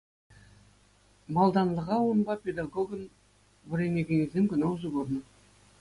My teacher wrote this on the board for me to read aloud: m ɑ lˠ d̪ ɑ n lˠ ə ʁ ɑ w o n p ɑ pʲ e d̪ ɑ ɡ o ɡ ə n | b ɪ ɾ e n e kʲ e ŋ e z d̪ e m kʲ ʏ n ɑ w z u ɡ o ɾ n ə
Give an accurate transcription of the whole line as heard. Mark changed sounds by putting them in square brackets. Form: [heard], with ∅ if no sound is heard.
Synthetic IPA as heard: m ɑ lˠ d̪ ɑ n lˠ ə ʁ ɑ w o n [b] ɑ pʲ e d̪ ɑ ɡ o ɡ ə n | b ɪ ɾ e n e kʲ e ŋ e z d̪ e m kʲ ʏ n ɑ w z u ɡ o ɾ n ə